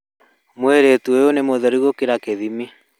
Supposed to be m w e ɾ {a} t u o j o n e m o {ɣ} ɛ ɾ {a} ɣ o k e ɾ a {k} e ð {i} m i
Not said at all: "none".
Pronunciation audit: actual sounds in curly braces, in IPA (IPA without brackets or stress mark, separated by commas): e, ð, i, k, i